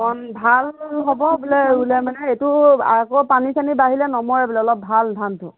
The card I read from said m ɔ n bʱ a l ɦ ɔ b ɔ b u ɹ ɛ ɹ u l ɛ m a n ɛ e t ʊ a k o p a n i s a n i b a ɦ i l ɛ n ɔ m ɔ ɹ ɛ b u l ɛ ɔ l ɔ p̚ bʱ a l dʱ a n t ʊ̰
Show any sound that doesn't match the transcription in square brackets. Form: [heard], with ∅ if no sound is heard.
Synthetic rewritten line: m ɔ n bʱ a l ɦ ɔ b ɔ b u [l] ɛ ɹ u l ɛ m a n ɛ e t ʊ a k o p a n i s a n i b a ɦ i l ɛ n ɔ m ɔ ɹ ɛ b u l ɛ ɔ l ɔ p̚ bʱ a l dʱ a n t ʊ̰